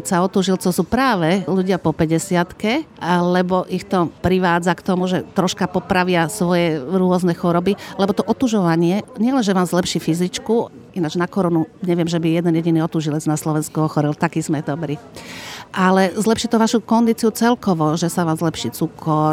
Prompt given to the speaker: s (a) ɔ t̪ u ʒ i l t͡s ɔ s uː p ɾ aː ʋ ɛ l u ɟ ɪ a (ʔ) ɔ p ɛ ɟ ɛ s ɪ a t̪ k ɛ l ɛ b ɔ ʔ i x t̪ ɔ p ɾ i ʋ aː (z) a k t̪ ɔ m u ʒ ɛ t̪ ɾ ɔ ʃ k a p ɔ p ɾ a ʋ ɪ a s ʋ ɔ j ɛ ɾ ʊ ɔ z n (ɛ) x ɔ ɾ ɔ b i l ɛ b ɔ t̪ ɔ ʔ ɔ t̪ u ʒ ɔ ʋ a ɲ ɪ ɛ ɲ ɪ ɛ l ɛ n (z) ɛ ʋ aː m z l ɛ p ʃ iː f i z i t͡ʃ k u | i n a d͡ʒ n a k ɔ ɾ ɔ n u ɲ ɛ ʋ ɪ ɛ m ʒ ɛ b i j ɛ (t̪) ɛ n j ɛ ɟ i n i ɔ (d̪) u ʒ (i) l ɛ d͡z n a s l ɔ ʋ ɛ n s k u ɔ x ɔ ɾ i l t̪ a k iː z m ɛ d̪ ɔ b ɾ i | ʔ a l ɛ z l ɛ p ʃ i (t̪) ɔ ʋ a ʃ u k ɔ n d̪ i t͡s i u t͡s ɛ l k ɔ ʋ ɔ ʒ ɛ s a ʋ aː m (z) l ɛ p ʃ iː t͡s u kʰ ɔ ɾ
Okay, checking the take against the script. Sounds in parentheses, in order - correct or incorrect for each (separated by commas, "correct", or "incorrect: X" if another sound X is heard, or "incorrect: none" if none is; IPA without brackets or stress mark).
correct, incorrect: p, incorrect: d͡z, correct, incorrect: ʒ, incorrect: d̪, incorrect: t̪, correct, correct, correct